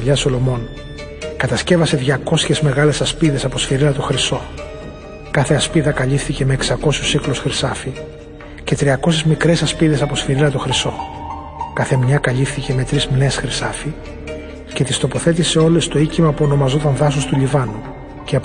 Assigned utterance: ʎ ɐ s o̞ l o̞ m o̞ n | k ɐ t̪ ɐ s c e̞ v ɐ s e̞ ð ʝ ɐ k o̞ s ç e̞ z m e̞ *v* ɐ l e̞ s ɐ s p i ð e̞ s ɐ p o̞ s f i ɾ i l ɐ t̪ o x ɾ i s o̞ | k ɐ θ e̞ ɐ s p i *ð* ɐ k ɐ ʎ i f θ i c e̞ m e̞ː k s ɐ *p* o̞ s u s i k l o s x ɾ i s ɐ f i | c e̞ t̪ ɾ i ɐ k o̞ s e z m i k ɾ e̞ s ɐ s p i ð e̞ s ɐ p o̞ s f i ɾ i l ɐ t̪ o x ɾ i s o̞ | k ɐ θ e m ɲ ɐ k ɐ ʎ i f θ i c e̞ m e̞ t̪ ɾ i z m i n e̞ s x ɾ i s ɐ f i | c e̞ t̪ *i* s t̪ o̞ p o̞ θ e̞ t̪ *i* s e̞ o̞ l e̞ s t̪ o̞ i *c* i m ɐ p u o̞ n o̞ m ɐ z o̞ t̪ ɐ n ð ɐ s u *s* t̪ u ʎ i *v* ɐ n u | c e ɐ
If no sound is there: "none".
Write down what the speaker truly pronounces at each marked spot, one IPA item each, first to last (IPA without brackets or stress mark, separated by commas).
ɣ, ð, k, i, i, c, s, v